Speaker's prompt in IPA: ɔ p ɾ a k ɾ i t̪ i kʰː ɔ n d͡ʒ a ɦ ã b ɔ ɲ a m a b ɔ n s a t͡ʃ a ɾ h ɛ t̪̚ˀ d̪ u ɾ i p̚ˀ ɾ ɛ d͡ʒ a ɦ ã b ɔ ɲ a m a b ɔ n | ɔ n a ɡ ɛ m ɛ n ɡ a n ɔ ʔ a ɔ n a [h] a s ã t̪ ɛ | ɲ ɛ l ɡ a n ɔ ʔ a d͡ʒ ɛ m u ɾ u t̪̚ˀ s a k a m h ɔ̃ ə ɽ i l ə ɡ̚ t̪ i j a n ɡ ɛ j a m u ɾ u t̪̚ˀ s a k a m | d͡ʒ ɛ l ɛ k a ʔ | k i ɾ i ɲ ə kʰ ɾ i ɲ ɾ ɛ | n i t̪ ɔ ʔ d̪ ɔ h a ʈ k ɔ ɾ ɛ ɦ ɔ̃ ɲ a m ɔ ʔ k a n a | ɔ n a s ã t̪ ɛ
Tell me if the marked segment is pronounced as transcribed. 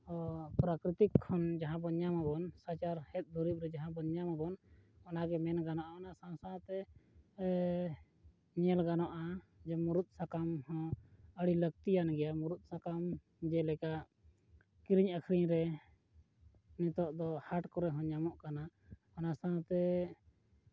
no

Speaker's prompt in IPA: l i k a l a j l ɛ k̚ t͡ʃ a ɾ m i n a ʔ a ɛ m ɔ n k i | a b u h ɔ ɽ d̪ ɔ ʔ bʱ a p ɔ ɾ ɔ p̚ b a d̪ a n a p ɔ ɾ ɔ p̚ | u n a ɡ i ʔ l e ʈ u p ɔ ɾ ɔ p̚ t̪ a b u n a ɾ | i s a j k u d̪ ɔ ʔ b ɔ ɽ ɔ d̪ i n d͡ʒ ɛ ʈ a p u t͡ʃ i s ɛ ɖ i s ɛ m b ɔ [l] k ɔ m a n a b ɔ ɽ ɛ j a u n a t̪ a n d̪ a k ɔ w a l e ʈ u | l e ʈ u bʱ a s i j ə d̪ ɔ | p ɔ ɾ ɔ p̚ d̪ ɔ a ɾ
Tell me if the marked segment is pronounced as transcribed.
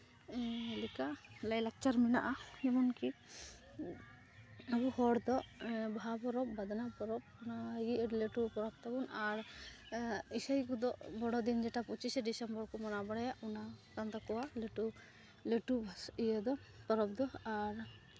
no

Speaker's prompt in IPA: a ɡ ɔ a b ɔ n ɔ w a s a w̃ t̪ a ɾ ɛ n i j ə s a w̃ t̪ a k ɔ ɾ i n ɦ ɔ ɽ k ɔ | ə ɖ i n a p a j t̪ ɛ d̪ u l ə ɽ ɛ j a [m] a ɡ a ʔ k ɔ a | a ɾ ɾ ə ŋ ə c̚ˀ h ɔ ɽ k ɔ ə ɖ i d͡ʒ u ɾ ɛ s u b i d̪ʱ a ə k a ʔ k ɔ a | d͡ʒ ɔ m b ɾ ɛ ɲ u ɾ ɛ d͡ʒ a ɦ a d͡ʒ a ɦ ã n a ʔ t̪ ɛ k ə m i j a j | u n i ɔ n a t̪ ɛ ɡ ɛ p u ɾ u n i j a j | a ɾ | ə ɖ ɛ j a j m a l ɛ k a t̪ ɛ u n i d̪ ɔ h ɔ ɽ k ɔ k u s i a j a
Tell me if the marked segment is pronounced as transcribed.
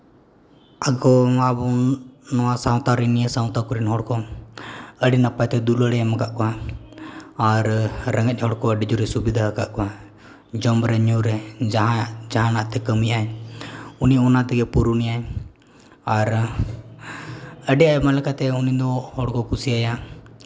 yes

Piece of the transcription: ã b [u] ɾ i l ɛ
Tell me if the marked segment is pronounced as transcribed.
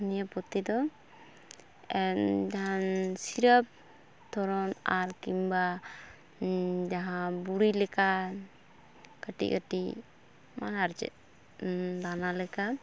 yes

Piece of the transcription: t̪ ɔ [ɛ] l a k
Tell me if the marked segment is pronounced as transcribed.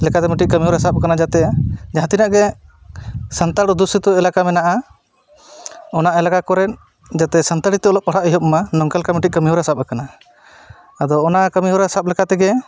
yes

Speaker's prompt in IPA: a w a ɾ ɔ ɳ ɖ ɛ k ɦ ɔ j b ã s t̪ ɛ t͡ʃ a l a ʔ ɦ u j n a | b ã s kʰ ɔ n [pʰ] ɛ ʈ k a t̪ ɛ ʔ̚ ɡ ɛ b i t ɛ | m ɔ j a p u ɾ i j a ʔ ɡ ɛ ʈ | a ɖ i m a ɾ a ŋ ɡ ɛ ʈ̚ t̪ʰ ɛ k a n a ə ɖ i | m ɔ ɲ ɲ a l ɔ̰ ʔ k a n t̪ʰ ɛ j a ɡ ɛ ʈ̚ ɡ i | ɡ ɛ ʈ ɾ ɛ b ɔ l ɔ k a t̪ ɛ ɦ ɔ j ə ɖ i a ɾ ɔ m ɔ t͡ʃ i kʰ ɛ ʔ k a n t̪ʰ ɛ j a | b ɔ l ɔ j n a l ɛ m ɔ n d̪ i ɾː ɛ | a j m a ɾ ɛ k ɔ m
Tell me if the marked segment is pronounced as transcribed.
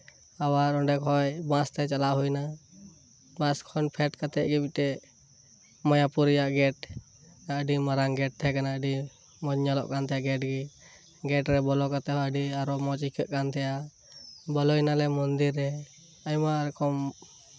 yes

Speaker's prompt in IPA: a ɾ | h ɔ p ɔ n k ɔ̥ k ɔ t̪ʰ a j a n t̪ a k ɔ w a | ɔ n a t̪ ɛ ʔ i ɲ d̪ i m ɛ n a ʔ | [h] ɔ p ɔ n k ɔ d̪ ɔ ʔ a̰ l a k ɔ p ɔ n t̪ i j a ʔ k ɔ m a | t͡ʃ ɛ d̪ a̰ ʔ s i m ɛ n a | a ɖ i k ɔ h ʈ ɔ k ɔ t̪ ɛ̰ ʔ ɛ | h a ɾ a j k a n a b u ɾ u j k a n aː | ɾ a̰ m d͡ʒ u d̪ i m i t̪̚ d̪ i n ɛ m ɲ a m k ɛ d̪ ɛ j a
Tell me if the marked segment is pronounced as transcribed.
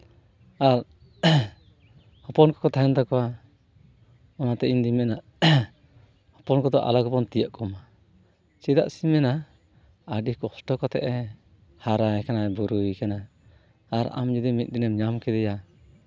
yes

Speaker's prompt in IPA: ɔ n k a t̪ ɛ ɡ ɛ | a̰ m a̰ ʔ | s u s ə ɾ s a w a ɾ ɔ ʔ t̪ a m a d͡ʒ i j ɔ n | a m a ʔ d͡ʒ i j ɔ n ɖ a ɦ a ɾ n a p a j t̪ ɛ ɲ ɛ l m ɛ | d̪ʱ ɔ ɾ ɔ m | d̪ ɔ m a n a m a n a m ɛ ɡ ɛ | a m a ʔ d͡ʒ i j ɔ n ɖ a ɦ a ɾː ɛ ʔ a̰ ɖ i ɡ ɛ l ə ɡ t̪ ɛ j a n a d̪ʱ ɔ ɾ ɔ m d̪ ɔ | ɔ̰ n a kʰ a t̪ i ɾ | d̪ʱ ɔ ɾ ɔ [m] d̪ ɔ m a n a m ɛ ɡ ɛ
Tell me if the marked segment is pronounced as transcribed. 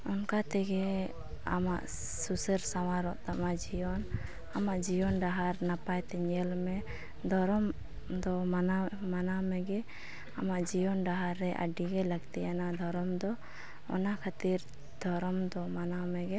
yes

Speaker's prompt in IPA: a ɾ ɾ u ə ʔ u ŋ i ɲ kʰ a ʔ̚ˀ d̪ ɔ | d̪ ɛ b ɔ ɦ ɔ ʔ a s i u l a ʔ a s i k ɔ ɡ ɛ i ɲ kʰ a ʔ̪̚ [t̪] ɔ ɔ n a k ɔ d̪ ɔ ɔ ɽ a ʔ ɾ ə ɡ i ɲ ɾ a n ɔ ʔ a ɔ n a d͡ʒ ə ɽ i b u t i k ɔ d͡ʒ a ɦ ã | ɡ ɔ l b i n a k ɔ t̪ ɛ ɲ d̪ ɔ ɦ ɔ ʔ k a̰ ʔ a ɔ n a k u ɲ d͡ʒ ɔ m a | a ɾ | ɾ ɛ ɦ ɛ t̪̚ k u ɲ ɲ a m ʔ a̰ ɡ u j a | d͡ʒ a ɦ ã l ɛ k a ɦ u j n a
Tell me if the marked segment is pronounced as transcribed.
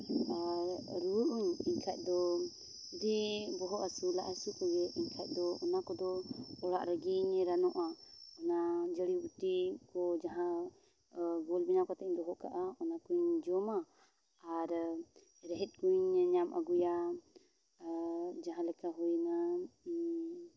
no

